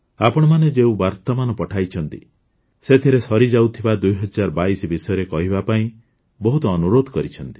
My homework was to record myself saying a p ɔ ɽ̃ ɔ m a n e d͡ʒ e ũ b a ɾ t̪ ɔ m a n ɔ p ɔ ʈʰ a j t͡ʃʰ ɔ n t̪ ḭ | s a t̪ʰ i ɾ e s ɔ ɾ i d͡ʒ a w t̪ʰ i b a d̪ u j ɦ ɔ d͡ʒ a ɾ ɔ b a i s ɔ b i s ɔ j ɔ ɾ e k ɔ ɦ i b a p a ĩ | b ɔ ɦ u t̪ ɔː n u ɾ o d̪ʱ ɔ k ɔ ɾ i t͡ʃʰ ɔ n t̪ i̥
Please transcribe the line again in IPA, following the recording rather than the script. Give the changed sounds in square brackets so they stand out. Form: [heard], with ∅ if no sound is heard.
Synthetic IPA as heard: a p ɔ ɽ̃ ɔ m a n e d͡ʒ e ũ b a ɾ t̪ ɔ m a n ɔ p ɔ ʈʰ a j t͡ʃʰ ɔ n t̪ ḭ | s [e] t̪ʰ i ɾ e s ɔ ɾ i d͡ʒ a w t̪ʰ i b a d̪ u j ɦ ɔ d͡ʒ a ɾ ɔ b a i s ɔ b i s ɔ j ɔ ɾ e k ɔ ɦ i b a p a ĩ | b ɔ ɦ u t̪ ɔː n u ɾ o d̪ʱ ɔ k ɔ ɾ i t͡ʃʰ ɔ n t̪ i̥